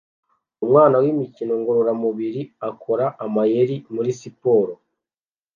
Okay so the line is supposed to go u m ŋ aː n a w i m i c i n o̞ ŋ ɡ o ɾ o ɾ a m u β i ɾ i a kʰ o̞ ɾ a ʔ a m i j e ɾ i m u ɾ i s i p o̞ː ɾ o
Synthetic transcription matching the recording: u m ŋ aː n a w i m i c i n o̞ ŋ ɡ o ɾ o ɾ a m u β i ɾ i a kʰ o̞ ɾ a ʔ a m a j e ɾ i m u ɾ i s i p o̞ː ɾ o